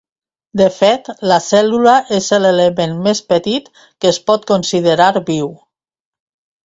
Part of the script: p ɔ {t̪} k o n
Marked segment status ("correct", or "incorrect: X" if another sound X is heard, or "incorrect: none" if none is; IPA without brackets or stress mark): correct